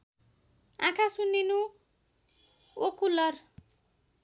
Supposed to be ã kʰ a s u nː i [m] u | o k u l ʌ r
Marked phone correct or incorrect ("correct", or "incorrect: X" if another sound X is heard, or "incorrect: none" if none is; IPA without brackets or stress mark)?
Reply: incorrect: n